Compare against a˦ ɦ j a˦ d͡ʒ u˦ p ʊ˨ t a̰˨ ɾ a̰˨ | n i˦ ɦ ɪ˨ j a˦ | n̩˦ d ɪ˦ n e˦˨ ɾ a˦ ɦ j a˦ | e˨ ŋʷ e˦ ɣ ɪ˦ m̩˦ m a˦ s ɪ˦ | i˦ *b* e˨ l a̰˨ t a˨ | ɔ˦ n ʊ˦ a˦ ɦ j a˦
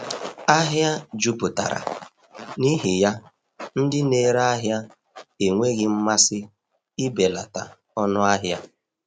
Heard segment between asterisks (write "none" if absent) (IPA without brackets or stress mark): b